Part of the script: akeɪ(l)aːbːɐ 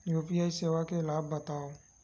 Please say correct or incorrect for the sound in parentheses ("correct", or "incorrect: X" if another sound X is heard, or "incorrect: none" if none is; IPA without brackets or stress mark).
correct